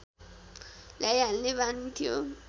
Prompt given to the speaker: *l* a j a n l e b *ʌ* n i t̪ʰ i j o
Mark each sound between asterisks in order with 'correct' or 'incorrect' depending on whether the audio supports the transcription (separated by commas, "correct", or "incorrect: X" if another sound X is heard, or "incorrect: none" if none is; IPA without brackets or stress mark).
correct, incorrect: a